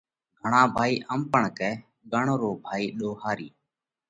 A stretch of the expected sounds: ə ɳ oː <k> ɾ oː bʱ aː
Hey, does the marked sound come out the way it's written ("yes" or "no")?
no